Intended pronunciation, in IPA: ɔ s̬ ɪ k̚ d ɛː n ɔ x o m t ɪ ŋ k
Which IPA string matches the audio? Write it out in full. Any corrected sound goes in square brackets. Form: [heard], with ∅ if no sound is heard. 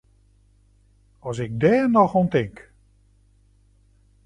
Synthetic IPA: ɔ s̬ ɪ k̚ d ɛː n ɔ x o [n] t ɪ ŋ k